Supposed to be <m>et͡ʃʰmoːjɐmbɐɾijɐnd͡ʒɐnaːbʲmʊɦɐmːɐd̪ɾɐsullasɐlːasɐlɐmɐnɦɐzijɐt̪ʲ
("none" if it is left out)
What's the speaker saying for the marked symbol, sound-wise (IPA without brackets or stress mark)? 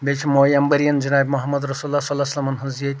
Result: b